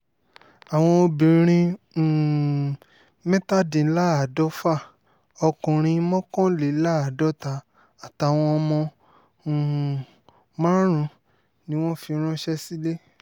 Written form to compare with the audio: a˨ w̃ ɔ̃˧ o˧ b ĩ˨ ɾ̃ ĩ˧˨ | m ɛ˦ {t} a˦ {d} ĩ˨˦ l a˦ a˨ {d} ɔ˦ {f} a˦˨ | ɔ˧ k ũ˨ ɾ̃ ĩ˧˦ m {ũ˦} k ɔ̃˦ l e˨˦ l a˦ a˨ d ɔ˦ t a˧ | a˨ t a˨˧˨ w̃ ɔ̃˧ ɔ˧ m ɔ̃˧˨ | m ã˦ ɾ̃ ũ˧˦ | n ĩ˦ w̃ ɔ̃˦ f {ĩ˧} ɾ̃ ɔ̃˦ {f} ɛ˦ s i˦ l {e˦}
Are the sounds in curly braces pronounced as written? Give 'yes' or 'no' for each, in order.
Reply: yes, yes, yes, yes, no, no, no, yes

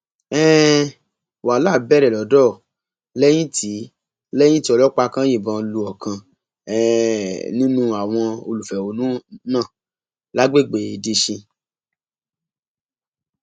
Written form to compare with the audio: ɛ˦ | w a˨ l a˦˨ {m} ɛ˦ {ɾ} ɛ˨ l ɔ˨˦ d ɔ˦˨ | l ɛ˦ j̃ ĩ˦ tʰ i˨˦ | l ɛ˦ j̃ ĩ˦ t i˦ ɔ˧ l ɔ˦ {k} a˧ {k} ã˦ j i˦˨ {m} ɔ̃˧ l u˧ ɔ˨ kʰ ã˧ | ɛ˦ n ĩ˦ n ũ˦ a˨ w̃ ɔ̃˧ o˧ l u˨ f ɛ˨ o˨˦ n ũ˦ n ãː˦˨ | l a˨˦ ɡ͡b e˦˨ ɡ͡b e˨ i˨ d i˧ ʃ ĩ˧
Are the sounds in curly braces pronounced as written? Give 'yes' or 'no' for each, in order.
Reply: no, yes, no, yes, no

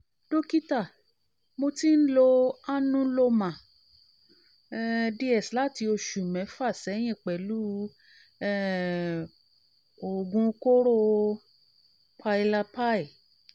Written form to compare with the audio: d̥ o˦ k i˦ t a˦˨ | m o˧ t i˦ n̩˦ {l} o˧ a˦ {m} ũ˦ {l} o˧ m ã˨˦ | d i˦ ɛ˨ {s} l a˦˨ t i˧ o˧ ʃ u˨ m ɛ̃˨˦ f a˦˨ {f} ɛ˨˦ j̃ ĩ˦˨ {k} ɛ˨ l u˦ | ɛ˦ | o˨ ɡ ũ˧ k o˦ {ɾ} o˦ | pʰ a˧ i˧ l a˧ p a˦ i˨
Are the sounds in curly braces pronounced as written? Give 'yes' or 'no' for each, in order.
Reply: yes, no, yes, yes, no, no, yes

